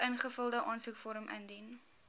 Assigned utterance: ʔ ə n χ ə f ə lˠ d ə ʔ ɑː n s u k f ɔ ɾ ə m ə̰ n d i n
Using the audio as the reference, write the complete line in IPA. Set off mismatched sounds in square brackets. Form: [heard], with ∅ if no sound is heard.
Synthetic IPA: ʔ ə n χ ə f ə lˠ d ə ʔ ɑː n s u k f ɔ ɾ ə m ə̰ n d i n